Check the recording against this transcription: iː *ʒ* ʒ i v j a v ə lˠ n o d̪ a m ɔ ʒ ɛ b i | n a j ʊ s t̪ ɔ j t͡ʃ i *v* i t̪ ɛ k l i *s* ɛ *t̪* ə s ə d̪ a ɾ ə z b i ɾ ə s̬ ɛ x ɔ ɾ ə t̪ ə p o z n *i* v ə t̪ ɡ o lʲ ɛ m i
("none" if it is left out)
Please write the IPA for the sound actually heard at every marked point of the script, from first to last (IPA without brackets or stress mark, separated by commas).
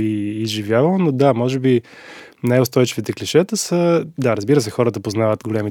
z, v, ʃ, t̪, a